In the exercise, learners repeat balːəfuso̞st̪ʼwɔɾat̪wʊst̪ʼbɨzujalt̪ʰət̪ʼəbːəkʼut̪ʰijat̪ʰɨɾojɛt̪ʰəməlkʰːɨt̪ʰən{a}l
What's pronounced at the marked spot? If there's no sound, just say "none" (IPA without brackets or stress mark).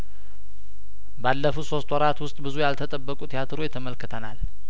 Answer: a